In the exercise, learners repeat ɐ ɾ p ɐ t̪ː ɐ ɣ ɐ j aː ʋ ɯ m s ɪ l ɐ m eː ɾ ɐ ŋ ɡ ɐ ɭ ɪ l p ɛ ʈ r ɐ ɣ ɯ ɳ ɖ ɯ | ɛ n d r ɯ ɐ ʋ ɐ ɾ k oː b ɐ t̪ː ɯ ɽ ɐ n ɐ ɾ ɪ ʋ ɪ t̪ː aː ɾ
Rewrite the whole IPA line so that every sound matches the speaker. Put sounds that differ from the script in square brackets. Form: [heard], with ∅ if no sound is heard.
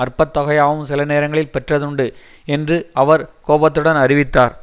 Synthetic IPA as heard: ɐ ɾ p ɐ t̪ː ɐ ɣ ɐ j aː ʋ ɯ m s ɪ l ɐ [n] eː ɾ ɐ ŋ ɡ ɐ ɭ ɪ l p ɛ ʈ r ɐ [ð] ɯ ɳ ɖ ɯ | ɛ n d r ɯ ɐ ʋ ɐ ɾ k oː b ɐ t̪ː ɯ ɽ ɐ n ɐ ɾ ɪ ʋ ɪ t̪ː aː ɾ